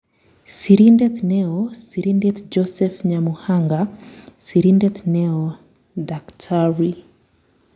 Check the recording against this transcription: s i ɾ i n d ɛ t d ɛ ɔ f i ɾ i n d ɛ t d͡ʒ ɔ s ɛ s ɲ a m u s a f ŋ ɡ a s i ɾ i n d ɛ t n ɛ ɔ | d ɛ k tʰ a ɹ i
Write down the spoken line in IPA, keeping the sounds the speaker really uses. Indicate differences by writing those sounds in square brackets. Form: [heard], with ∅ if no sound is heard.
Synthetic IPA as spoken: s i ɾ i n d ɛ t [n] ɛ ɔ [s] i ɾ i n d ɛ t d͡ʒ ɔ s ɛ [f] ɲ a m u [h] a [∅] ŋ ɡ a s i ɾ i n d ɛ t n ɛ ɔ | d [a] k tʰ a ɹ i